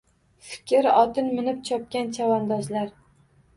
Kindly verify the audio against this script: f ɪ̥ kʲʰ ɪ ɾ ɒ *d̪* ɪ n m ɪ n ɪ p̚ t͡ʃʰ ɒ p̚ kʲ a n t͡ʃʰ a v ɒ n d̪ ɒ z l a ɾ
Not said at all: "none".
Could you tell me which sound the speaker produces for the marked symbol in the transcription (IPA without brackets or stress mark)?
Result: t̪